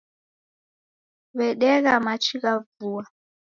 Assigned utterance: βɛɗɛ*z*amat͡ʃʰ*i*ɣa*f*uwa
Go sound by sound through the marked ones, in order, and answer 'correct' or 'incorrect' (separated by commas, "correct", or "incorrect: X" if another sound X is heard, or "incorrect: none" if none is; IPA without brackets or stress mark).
incorrect: ɣ, correct, incorrect: v